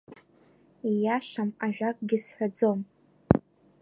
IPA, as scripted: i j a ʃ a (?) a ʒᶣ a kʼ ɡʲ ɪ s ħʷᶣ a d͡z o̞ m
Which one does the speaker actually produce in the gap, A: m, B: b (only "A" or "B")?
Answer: A